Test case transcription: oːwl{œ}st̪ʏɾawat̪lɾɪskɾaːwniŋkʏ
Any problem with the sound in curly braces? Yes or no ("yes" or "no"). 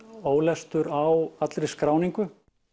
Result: yes